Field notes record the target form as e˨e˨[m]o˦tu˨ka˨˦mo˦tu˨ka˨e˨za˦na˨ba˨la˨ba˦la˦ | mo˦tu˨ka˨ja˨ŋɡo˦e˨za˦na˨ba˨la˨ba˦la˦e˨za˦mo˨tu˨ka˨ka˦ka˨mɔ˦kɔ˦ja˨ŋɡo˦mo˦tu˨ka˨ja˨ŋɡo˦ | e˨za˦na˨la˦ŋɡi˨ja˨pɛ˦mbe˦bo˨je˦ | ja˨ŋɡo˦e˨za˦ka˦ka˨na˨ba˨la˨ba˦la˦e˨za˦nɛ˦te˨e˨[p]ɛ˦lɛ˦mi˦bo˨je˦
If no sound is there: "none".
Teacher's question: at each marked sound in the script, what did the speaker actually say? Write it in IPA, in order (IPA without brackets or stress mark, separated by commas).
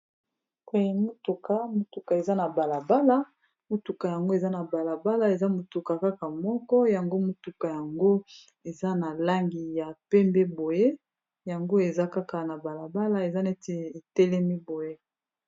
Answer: m, t